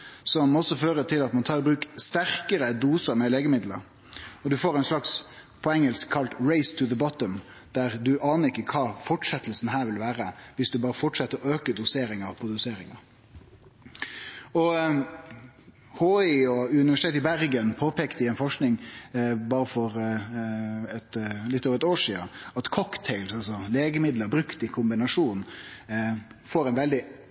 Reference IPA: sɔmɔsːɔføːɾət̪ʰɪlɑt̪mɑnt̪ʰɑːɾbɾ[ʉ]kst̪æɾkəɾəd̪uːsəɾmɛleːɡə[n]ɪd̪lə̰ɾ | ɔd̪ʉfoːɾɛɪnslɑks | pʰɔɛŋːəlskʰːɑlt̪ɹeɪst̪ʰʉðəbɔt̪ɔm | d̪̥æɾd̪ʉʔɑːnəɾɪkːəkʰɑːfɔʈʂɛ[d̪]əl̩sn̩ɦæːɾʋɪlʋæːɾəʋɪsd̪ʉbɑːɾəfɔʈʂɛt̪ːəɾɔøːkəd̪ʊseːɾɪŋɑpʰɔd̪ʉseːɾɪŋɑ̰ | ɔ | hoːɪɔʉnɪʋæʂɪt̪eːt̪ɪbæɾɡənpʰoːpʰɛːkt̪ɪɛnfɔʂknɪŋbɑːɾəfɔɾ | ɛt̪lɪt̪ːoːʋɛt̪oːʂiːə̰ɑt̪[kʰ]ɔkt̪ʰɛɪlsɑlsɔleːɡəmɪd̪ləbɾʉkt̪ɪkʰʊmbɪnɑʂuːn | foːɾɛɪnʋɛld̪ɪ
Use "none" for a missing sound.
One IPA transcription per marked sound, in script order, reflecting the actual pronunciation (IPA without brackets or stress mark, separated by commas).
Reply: ʉː, m, t̪, kʰ